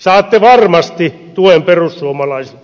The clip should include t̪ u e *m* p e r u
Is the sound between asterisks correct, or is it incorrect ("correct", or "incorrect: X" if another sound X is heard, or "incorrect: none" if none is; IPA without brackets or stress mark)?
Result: correct